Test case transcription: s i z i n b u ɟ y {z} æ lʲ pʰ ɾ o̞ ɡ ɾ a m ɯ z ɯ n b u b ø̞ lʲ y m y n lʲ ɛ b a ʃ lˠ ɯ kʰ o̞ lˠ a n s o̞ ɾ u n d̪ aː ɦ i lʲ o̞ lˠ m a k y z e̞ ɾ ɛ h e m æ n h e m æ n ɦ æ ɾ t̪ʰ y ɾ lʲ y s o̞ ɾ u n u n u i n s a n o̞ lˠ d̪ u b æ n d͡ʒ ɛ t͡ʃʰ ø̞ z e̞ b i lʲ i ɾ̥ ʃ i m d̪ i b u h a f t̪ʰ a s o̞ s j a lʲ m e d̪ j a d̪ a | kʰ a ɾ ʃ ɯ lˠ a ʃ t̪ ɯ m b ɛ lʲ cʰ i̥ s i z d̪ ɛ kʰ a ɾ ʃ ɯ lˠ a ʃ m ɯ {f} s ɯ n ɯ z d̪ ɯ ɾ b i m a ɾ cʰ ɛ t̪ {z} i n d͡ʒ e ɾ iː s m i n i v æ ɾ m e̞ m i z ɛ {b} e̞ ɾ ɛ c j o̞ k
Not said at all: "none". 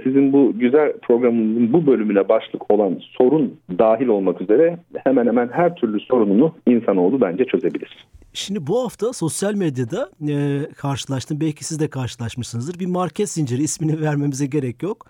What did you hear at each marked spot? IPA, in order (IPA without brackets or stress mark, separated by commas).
z, ʃ, s, ɟ